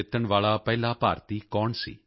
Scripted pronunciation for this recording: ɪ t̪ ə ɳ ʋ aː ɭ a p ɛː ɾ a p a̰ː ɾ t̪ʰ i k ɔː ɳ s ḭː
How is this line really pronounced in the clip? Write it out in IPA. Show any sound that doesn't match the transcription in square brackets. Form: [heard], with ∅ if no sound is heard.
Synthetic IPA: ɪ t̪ ə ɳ ʋ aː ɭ a p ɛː [l] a p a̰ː ɾ [t̪] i k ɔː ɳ s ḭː